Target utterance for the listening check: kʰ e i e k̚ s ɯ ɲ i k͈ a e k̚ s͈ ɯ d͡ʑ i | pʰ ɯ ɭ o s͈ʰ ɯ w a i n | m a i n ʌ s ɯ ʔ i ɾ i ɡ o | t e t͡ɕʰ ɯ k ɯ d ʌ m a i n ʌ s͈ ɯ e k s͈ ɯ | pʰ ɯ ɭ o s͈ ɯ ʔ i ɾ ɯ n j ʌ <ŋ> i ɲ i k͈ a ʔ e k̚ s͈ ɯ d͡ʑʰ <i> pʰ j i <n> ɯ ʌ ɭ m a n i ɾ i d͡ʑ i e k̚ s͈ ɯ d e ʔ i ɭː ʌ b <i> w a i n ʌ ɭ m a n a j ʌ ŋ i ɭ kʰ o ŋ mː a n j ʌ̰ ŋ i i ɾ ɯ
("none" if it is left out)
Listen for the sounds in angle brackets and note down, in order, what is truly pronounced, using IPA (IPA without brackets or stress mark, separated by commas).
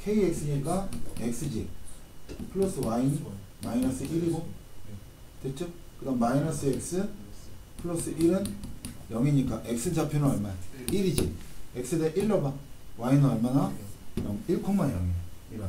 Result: ŋ, a, n, a